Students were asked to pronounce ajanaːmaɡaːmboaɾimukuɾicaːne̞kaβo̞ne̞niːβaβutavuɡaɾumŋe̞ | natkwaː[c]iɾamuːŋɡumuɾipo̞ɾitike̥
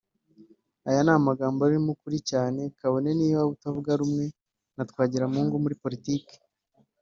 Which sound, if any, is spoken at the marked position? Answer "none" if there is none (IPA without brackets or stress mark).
ɟ